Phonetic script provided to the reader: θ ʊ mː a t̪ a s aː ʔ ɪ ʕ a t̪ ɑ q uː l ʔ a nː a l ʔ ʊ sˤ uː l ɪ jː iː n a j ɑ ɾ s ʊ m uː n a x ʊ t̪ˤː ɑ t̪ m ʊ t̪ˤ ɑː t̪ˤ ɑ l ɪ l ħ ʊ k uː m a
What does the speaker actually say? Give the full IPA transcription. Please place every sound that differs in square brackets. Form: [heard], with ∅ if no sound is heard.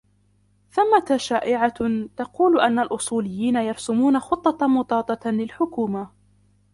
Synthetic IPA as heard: θ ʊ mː a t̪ a [ʃ] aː ʔ ɪ ʕ a t̪ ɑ q uː l ʔ a nː a l ʔ ʊ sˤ uː l ɪ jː iː n a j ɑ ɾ s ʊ m uː n a x ʊ t̪ˤː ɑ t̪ m ʊ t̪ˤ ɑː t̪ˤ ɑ l ɪ l ħ ʊ k uː m a

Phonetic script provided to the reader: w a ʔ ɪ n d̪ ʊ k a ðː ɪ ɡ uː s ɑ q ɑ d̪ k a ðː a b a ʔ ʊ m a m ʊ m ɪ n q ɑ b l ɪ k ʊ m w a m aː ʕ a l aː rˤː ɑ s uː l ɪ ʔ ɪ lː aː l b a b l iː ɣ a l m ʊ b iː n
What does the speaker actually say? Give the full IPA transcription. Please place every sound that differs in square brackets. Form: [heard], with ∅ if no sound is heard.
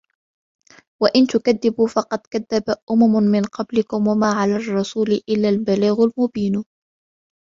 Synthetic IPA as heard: w a ʔ ɪ n [t̪] ʊ k a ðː ɪ [b] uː [f] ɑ q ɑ d̪ k a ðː a b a ʔ ʊ m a m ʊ m ɪ n q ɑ b l ɪ k ʊ m w a m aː ʕ a l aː rˤː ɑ s uː l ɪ ʔ ɪ lː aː l b a [∅] l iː ɣ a l m ʊ b iː n

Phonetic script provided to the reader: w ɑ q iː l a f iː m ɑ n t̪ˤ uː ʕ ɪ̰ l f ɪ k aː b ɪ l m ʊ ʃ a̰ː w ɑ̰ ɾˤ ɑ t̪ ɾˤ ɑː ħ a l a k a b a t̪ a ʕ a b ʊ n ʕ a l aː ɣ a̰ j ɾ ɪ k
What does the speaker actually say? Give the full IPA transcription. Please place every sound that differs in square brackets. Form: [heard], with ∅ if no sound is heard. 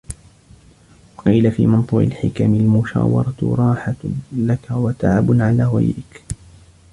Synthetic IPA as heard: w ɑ q iː l a f iː m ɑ n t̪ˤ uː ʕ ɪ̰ l [ħ] ɪ k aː [m] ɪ l m ʊ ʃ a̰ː w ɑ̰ ɾˤ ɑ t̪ ɾˤ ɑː ħ a l a k a [w] a t̪ a ʕ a b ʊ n ʕ a l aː ɣ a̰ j ɾ ɪ k

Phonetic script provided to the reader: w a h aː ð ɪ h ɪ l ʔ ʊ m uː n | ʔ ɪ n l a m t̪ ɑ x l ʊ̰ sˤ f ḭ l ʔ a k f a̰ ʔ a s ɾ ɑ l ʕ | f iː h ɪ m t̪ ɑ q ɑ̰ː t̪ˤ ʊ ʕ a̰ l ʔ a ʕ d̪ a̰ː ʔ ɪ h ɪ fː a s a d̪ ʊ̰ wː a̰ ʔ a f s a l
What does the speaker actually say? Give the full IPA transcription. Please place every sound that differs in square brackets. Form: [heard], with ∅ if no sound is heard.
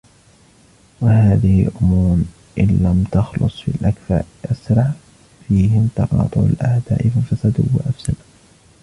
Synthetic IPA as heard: w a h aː ð ɪ h ɪ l ʔ ʊ m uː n | ʔ ɪ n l a m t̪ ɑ x l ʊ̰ sˤ f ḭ l ʔ a k f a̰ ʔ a s ɾ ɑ [∅] ʕ | f iː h ɪ m t̪ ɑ q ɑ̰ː t̪ˤ ʊ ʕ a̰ l ʔ a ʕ d̪ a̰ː ʔ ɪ [f] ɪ [f] a s a d̪ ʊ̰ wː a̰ ʔ a f s a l

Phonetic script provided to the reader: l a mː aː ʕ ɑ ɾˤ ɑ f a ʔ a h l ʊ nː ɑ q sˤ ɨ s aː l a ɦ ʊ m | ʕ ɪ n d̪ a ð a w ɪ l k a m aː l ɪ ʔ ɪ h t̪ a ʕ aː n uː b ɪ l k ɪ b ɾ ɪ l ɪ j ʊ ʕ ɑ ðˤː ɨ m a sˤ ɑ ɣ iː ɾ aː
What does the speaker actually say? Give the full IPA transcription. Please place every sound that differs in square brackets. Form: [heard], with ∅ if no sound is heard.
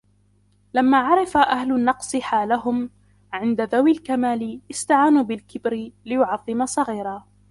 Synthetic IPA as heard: l a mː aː ʕ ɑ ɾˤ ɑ f a ʔ a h l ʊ nː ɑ q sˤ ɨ [ħ] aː l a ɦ ʊ m | ʕ ɪ n d̪ a ð a w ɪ l k a m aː l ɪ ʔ ɪ [s] t̪ a ʕ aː n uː b ɪ l k ɪ b ɾ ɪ l ɪ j ʊ ʕ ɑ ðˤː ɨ m a sˤ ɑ ɣ iː ɾ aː

